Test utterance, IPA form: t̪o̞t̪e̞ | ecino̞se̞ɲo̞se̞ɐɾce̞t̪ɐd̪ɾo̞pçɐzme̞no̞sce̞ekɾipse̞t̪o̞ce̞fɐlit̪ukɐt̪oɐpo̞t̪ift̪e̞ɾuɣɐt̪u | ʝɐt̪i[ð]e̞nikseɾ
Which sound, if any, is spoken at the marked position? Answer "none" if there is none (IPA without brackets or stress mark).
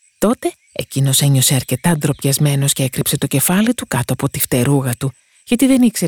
ð